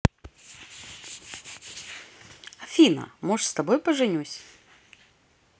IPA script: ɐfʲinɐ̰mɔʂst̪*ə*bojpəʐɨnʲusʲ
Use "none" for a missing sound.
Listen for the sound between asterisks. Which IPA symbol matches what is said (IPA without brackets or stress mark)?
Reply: ɐ